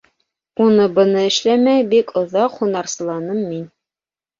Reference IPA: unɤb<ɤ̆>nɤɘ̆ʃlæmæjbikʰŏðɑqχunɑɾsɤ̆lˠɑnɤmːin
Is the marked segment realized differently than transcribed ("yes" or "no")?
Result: no